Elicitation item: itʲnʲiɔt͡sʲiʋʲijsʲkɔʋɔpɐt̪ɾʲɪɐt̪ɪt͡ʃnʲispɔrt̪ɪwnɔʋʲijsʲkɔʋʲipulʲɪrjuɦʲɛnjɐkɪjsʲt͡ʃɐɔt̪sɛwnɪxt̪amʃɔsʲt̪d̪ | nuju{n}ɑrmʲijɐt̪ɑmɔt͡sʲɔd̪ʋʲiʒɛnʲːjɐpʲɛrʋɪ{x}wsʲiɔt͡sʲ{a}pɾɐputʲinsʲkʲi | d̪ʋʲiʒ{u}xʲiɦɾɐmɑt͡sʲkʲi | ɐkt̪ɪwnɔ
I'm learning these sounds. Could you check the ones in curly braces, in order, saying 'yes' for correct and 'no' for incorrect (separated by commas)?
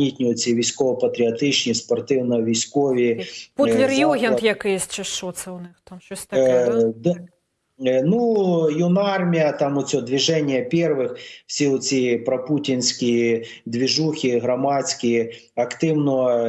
yes, yes, no, yes